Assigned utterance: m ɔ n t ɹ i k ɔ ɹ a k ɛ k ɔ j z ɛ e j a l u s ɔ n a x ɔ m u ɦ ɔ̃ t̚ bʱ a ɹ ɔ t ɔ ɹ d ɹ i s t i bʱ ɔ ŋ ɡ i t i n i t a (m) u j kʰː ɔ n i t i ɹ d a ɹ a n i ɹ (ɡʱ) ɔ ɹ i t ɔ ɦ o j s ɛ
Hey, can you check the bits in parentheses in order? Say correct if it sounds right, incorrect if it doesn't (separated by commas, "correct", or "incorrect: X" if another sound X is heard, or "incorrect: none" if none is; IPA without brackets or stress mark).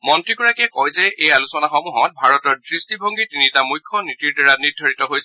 correct, incorrect: dʱ